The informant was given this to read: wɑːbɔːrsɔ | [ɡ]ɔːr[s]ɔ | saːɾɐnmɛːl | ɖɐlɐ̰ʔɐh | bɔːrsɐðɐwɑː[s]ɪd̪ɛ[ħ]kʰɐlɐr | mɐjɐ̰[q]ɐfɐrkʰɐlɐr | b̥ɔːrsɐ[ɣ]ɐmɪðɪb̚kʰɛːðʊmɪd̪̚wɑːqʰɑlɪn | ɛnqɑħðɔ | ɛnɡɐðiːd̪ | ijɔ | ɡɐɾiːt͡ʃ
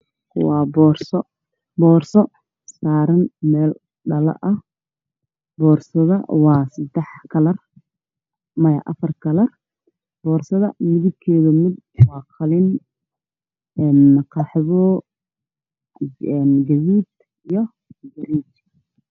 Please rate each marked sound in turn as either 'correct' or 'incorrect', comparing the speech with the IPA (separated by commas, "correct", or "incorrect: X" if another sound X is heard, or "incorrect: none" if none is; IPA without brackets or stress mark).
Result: incorrect: b, correct, correct, correct, incorrect: ʔ, incorrect: ð